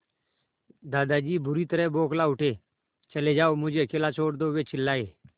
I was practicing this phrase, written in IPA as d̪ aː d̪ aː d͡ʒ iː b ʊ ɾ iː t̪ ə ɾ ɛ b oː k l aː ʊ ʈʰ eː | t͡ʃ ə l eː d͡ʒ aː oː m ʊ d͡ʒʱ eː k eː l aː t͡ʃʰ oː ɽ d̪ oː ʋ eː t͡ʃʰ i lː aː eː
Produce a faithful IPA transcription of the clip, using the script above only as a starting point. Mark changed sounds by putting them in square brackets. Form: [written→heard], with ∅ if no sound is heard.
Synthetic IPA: d̪ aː d̪ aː d͡ʒ iː b ʊ ɾ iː t̪ ə ɾ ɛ b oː k l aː ʊ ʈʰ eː | t͡ʃ ə l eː d͡ʒ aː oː m ʊ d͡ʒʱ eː k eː l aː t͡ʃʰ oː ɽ d̪ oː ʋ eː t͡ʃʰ [i→ɪ] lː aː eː